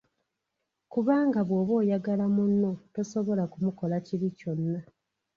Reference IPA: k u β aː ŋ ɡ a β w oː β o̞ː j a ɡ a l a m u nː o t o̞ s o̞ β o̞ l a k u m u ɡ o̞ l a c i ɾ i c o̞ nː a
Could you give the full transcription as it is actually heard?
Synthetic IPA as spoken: k u β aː ŋ ɡ a β w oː β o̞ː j a ɡ a l a m u nː o t o̞ s o̞ β o̞ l a k u m u k o̞ l a c i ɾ i c o̞ nː a

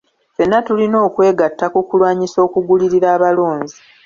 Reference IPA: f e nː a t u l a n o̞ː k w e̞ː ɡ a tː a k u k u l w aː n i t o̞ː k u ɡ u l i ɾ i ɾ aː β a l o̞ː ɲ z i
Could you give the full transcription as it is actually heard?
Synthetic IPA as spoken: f e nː a t u l i n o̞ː k w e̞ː ɡ a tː a k u k u l w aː ɲ i s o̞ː k u ɡ u l i ɾ i ɾ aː β a l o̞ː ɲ z i

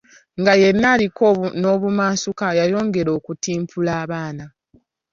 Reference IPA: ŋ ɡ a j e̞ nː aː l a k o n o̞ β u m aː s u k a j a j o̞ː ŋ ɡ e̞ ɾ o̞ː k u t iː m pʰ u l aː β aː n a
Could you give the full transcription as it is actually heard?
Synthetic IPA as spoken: ŋ ɡ a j e̞ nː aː l i k o n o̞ β u m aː s u k a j a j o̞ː ŋ ɡ e̞ ɾ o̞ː k u t iː m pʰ u l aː β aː n a

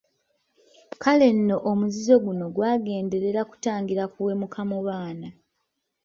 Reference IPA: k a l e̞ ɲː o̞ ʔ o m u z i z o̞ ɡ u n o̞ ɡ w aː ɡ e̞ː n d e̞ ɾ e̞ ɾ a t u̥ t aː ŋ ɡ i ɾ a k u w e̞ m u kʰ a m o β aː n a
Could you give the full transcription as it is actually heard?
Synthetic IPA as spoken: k a l e̞ nː o̞ ʔ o m u z i z o̞ ɡ u n o̞ ɡ w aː ɡ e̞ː n d e̞ ɾ e̞ ɾ a k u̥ t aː ŋ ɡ i ɾ a k u w e̞ m u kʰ a m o β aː n a

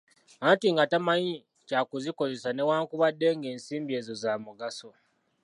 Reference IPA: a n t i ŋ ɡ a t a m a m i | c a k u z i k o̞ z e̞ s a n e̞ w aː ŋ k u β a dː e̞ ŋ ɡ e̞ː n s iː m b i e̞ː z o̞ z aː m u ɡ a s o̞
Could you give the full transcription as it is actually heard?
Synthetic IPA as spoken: a n t i ŋ ɡ a t a m a ɲ i | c a k u z i k o̞ z e̞ s a n e̞ w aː ŋ k u β a dː e̞ ŋ ɡ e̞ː n s iː m b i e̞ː z o̞ z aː m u ɡ a s o̞

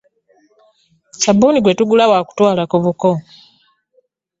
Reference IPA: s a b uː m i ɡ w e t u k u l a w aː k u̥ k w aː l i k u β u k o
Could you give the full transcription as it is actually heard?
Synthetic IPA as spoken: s a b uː n i ɡ w e t u ɡ u l a w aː k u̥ t w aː l a k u β u k o

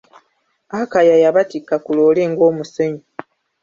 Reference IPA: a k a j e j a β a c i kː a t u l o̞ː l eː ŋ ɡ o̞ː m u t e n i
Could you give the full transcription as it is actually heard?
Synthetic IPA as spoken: a k a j a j a β a t i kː a k u l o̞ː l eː ŋ ɡ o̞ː m u s e ɲ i

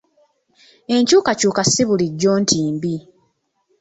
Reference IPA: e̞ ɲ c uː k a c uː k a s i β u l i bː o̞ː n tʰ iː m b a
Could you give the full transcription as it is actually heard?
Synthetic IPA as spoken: e̞ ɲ c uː k a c uː k a s i β u l i ɟː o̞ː n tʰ iː m b i

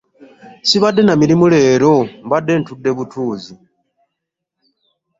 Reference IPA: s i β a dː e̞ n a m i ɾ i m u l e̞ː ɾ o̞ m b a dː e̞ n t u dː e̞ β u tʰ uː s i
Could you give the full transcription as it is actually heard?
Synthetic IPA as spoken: s i β a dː e̞ n a m i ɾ i m u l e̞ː ɾ o̞ m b a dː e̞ n t u dː e̞ β u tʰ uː z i

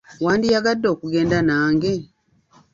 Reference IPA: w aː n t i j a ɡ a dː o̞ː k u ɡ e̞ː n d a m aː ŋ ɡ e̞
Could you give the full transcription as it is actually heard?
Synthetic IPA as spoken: w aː n d i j a ɡ a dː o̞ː k u ɡ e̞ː n d a n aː ŋ ɡ e̞

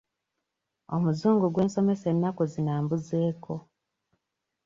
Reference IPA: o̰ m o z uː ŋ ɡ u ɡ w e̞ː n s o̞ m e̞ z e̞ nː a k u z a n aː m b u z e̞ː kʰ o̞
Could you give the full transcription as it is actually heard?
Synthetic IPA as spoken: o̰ m u z uː ŋ ɡ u ɡ w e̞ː n s o̞ m e̞ s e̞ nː a k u z i n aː m b u z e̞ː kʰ o̞

